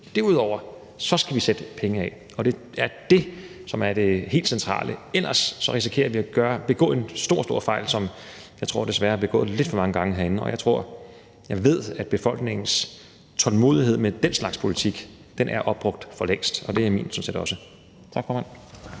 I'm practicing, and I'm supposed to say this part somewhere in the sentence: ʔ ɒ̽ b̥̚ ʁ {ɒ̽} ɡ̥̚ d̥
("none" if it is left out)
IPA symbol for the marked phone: ɔ̽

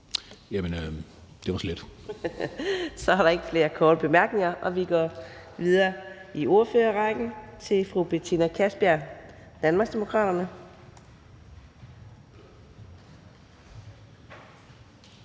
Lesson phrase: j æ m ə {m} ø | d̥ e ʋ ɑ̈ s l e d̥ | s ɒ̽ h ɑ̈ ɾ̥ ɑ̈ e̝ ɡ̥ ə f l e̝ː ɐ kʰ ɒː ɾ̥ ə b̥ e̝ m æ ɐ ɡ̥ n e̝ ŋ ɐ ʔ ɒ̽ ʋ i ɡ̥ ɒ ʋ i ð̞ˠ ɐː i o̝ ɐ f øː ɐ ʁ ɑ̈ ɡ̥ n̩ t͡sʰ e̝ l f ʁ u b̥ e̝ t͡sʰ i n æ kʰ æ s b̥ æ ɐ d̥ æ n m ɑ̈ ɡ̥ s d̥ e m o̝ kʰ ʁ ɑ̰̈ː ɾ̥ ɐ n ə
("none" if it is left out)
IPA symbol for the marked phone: n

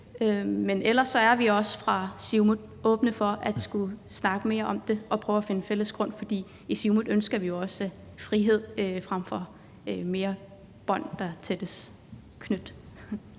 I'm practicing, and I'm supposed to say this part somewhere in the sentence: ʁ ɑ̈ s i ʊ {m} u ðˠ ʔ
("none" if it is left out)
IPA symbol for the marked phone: m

